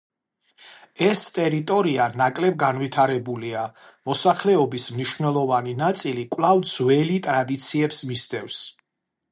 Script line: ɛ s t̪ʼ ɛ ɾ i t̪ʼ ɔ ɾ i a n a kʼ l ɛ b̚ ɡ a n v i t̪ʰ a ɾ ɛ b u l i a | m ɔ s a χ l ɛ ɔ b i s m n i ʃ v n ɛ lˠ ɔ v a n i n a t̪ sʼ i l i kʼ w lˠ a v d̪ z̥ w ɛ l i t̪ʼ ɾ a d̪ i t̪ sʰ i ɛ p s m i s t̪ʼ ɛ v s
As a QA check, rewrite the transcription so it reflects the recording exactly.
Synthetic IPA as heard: ɛ s t̪ʼ ɛ ɾ i t̪ʼ ɔ ɾ i a n a kʼ l ɛ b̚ ɡ a n v i t̪ʰ a ɾ ɛ b u l i a | m ɔ s a χ l ɛ ɔ b i s m n i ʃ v n ɛ lˠ ɔ v a n i n a t̪ sʼ i l i kʼ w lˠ a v d̪ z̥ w ɛ l i t̪ʼ ɾ a d̪ i t̪ sʰ i ɛ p s m i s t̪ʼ ɛ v s